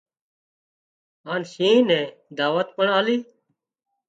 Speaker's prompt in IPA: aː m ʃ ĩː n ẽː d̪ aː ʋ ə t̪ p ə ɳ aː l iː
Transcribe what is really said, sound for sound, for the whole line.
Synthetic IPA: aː n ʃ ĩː n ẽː d̪ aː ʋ ə t̪ p ə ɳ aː l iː